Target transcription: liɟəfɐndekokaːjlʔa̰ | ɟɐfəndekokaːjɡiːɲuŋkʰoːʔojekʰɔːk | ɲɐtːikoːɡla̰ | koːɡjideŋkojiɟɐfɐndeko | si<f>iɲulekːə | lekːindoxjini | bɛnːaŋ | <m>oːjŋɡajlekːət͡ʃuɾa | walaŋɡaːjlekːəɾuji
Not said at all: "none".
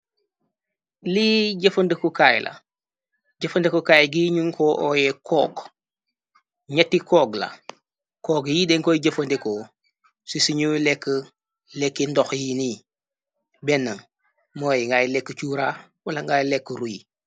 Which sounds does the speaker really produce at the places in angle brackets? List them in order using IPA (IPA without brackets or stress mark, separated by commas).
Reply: s, m